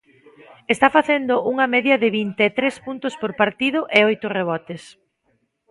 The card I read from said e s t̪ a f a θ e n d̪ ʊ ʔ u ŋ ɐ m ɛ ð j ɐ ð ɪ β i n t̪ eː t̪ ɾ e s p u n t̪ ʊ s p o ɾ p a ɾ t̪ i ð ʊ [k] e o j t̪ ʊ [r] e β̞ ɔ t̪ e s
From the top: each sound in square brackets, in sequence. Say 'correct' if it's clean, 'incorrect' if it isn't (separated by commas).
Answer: incorrect, correct